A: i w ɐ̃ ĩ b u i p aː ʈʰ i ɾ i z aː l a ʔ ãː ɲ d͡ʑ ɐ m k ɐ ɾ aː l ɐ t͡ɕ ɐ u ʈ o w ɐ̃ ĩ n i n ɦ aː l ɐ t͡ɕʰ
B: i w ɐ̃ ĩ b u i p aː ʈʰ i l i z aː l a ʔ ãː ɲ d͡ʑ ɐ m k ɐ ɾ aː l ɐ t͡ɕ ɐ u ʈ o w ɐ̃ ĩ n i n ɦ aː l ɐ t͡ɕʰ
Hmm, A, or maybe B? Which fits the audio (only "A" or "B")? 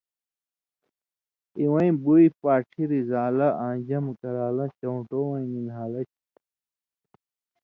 A